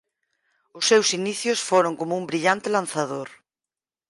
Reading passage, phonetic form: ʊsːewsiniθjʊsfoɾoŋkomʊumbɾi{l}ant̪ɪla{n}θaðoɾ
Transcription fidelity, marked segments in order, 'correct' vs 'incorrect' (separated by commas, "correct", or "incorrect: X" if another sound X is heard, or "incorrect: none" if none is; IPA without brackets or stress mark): incorrect: ʎ, correct